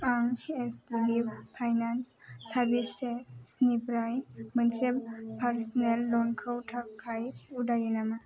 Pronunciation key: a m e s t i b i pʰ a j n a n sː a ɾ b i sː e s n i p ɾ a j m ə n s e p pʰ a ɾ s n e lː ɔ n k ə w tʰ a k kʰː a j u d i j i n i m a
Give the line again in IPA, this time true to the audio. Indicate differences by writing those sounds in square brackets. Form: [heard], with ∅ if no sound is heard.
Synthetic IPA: a [ŋ] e s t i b i pʰ a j n a n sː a ɾ b i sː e s n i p ɾ a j m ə n s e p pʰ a ɾ s n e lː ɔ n [kʰ] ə w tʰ a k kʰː a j u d [a] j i n [a] m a